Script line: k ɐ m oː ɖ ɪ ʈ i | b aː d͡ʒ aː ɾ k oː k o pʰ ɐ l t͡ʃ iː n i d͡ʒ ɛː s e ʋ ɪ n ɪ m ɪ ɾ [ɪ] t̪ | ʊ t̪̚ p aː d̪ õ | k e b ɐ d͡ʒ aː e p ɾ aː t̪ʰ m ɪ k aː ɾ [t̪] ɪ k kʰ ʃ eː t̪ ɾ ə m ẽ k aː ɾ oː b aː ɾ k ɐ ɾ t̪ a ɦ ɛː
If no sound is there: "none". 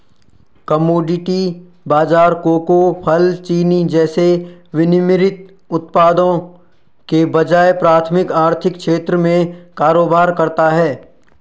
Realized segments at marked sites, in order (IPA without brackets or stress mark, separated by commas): ɪ, t̪ʰ